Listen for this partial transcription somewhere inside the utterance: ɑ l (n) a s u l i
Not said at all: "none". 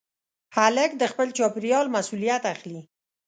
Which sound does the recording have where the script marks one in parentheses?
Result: m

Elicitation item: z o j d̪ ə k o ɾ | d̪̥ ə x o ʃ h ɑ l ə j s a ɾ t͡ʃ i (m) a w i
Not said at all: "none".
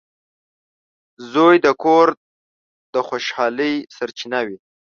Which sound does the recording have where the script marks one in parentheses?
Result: n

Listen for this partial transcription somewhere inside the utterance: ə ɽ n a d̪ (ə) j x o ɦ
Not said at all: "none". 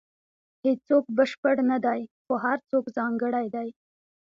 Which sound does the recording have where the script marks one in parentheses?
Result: a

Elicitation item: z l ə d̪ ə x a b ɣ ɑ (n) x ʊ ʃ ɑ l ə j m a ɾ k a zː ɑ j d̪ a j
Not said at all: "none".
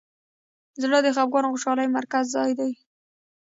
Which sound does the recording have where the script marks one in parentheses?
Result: n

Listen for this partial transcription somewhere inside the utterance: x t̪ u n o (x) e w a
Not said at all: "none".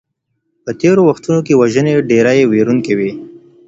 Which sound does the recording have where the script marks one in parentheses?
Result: k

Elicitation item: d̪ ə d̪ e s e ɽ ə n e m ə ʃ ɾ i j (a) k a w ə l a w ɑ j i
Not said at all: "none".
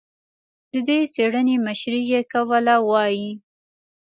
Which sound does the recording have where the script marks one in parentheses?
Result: e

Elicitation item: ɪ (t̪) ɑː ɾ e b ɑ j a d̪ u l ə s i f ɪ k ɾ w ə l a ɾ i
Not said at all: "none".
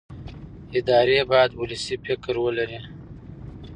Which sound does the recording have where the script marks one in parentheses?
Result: d̪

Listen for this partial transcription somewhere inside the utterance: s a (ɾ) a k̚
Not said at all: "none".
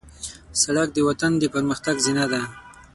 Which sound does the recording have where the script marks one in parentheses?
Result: ɽ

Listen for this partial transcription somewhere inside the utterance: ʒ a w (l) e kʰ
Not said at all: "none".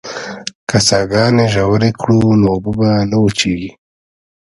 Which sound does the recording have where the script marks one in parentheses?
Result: ɾ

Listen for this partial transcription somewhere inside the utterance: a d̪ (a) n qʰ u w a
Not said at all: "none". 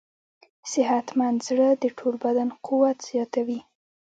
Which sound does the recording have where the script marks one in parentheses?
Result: a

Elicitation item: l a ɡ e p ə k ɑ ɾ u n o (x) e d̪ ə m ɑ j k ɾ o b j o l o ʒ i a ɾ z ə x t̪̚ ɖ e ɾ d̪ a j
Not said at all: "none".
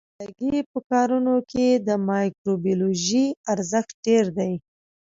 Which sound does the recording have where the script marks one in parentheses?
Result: k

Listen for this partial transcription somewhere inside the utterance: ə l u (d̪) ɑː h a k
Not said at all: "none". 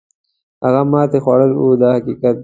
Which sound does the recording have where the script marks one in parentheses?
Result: d̪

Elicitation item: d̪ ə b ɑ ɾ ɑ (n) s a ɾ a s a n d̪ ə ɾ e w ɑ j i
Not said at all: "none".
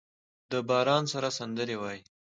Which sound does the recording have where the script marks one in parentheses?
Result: n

